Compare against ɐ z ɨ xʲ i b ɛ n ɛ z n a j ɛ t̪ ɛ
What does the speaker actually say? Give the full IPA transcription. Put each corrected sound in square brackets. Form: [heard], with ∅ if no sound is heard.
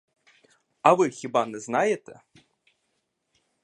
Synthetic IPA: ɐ [v] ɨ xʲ i b [a] n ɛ z n a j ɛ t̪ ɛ